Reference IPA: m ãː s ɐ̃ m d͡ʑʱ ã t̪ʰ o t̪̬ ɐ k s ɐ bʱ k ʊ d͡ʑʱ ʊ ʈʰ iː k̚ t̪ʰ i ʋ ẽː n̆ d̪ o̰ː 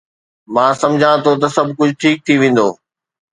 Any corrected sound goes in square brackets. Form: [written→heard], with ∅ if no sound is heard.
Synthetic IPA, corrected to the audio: m ãː s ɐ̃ m d͡ʑʱ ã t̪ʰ o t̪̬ ɐ [k→∅] s ɐ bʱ k ʊ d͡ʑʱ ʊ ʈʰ iː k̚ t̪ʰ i ʋ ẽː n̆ d̪ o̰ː